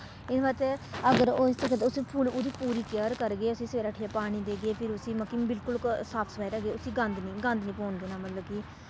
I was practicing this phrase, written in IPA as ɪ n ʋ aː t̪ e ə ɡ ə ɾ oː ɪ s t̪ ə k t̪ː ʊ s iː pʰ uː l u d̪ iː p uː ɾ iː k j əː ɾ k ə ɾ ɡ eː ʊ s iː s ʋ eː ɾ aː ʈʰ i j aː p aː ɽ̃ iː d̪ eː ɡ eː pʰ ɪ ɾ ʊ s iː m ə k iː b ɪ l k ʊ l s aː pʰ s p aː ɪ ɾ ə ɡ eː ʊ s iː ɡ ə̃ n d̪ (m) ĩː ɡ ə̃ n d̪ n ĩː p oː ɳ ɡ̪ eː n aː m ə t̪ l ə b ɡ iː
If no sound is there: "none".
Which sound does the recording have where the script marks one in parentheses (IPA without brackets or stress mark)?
n